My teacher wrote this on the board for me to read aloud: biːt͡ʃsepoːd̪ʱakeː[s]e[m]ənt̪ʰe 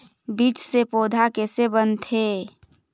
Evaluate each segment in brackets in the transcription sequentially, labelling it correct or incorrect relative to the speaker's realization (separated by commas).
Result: correct, incorrect